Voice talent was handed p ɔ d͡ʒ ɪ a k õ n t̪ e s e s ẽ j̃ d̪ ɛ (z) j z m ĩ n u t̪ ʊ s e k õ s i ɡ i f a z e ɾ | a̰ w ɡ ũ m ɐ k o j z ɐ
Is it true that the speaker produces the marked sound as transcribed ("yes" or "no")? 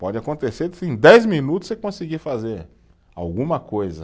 no